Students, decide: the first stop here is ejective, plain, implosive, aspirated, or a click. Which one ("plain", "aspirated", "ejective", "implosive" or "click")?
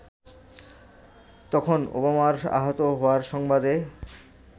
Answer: plain